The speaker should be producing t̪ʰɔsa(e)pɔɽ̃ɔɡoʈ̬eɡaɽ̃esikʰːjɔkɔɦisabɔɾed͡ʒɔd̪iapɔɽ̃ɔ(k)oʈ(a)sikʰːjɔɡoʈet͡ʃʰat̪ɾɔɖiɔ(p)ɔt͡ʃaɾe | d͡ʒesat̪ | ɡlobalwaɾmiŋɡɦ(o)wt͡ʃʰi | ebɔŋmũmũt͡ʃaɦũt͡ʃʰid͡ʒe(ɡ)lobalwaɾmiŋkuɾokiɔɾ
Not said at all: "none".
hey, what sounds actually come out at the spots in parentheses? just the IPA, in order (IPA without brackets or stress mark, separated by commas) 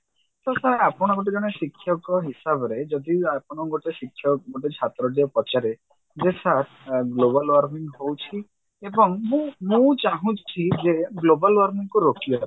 a, ɡ, e, p, o, ɡ